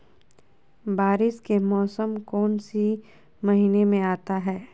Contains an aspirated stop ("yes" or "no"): no